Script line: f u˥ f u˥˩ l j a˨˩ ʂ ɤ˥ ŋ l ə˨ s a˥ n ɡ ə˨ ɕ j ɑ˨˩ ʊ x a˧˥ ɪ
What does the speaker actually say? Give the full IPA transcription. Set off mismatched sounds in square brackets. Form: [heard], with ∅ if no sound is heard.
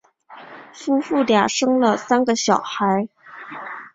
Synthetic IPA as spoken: f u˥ f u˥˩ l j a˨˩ ʂ ɤ˥ ŋ l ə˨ s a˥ n ɡ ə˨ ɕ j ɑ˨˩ ʊ x a˧˥ ɪ